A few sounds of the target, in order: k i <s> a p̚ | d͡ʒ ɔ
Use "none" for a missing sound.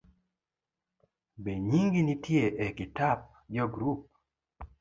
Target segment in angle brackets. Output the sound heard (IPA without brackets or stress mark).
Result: t